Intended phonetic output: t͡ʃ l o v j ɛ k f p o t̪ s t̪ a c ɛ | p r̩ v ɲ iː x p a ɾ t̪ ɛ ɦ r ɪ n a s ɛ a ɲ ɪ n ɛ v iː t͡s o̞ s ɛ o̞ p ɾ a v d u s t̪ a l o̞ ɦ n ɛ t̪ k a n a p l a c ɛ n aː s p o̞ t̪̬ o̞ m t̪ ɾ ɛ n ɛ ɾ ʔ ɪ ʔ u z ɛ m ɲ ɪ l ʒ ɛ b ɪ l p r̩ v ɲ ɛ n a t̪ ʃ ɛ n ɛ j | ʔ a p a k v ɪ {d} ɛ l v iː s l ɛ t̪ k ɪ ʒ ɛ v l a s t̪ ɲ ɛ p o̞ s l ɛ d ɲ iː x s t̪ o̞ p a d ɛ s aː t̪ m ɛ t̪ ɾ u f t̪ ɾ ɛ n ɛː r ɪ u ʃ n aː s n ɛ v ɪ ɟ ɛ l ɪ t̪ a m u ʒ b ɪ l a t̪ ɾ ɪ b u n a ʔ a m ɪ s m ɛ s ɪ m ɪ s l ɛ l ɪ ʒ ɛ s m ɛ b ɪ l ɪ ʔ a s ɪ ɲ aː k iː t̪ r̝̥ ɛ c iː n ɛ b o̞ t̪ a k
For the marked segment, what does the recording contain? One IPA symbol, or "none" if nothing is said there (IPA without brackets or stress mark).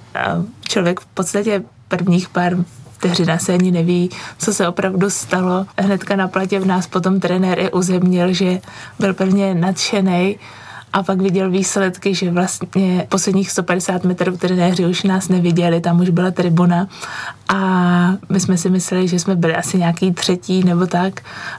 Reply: ɟ